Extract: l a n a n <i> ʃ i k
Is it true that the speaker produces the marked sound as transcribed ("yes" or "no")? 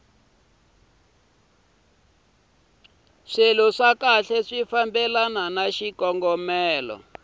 no